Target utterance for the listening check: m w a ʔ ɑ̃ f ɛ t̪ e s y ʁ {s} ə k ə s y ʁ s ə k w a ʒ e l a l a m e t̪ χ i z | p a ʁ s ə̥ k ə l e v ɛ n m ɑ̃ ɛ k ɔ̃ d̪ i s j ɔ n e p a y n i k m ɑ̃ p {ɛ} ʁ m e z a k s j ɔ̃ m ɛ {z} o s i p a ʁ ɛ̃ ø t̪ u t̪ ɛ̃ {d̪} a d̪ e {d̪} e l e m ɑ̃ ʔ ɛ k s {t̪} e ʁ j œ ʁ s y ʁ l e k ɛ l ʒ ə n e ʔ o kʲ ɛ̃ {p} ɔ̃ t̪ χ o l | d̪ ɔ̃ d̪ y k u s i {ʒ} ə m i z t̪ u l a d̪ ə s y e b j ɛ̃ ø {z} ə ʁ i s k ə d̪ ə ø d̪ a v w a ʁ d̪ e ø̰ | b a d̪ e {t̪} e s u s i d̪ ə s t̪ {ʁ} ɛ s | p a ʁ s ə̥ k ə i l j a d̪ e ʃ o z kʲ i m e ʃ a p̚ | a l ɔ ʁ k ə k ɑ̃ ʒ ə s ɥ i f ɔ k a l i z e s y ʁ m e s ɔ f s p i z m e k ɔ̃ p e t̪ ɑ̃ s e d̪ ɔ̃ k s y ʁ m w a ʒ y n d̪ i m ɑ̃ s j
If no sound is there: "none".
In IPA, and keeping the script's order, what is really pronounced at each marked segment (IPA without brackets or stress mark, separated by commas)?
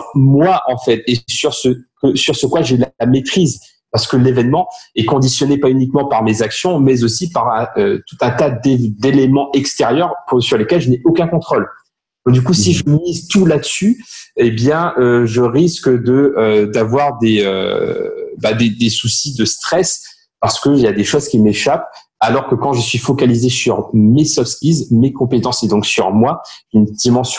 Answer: s, a, z, t̪, d̪, t̪, k, ʒ, ʒ, d̪, χ